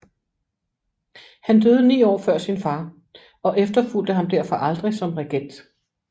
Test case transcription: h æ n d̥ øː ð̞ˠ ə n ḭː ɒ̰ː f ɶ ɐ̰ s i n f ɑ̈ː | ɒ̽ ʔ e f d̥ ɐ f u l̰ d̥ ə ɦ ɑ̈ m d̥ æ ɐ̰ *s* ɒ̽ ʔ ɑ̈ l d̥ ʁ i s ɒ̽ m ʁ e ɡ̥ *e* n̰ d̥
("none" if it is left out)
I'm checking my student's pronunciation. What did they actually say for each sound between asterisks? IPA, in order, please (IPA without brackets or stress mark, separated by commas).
f, e